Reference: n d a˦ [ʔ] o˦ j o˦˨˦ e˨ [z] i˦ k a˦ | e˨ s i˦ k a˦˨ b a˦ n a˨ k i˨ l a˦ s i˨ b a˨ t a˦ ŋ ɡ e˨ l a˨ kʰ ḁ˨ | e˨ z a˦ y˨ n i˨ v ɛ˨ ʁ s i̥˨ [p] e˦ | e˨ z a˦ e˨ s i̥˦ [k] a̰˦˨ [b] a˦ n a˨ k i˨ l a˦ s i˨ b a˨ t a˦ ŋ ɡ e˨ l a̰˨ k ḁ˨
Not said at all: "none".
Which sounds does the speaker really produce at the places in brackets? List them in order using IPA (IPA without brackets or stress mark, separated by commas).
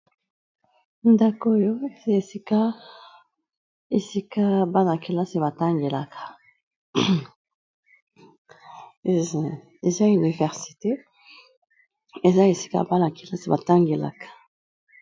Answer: k, s, t, k, b